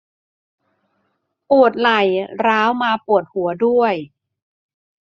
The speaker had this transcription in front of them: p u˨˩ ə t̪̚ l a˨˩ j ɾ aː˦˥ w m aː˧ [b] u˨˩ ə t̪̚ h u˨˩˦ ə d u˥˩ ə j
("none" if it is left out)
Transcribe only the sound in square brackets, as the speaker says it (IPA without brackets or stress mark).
p